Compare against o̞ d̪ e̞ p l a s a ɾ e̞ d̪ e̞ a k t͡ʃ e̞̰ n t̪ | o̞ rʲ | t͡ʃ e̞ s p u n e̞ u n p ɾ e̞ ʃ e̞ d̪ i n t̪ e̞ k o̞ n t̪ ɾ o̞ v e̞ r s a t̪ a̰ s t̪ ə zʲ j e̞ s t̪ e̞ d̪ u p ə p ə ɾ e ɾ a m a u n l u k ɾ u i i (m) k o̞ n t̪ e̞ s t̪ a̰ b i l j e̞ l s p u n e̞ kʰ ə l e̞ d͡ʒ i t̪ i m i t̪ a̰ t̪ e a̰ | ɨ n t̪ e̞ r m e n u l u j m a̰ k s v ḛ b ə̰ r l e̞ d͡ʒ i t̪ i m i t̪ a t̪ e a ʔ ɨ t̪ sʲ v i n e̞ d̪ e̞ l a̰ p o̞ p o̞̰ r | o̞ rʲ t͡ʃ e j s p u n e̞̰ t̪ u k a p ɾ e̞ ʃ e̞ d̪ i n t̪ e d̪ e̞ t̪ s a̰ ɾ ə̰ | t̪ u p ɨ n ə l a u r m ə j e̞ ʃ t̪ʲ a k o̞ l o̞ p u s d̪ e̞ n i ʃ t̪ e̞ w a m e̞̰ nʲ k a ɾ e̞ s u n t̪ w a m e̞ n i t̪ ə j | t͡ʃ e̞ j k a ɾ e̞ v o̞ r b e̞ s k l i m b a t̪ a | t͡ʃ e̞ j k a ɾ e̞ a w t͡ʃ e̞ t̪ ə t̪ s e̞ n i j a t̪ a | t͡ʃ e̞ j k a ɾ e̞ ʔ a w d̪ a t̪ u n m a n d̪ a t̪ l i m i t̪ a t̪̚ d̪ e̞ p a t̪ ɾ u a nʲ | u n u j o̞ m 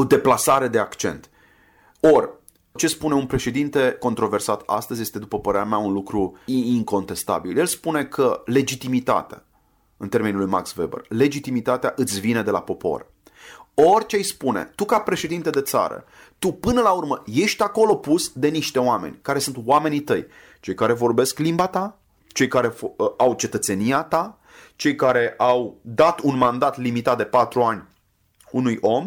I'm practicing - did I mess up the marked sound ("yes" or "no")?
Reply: yes